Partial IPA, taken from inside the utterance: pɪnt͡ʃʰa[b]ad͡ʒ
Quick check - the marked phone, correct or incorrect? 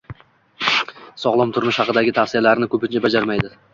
correct